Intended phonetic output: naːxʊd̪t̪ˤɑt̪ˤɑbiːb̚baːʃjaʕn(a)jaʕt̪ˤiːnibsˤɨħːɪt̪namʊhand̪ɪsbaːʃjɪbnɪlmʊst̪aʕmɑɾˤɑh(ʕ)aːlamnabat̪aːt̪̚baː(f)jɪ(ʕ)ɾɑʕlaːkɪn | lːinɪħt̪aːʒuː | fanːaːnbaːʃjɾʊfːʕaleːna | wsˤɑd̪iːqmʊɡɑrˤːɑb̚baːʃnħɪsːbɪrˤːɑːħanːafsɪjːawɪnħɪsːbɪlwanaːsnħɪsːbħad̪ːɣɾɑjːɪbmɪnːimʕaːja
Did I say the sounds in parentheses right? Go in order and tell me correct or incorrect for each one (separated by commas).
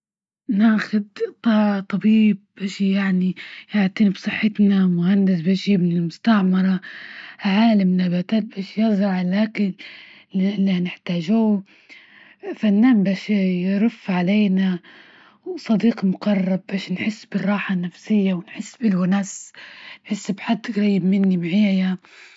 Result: incorrect, correct, incorrect, incorrect